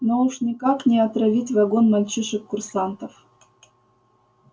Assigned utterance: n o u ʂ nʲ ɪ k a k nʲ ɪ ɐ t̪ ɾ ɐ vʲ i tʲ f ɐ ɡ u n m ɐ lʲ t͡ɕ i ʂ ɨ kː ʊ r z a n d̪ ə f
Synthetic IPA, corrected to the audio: n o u ʂ nʲ ɪ k a k nʲ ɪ ɐ t̪ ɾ ɐ vʲ i tʲ v ɐ ɡ o n m ɐ lʲ t͡ɕ i ʂ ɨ kː ʊ r s a n t̪ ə f